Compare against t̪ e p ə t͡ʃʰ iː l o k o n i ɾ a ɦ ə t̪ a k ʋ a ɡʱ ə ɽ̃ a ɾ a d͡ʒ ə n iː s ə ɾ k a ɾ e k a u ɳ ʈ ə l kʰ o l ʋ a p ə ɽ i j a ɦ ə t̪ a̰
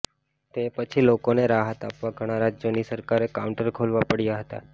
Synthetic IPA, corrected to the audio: t̪ e p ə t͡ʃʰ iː l o k o n e ɾ a ɦ ə t̪ a p ʋ a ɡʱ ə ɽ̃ a ɾ a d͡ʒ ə n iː s ə ɾ k a ɾ e k a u ɳ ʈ ə ɾ kʰ o l ʋ a p ə ɽ i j a ɦ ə t̪ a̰